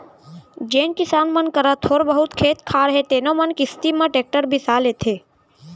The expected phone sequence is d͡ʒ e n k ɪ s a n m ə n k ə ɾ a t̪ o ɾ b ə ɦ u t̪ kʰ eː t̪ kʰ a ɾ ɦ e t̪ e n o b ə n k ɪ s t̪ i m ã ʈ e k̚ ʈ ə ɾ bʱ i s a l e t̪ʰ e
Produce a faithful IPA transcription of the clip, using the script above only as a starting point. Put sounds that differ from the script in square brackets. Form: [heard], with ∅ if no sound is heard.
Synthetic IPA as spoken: d͡ʒ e n k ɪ s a n m ə n k ə ɾ a [t̪ʰ] o ɾ b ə ɦ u t̪ kʰ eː t̪ kʰ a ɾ ɦ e t̪ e n o [m] ə n k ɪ s t̪ i m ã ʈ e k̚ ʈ ə ɾ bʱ i s a l e t̪ʰ e